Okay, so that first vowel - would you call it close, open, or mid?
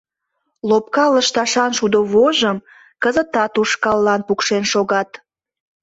mid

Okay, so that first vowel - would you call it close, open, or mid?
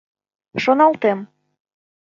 mid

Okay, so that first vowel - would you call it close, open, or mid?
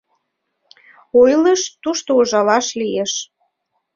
mid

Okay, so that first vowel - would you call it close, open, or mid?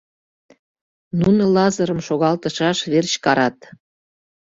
close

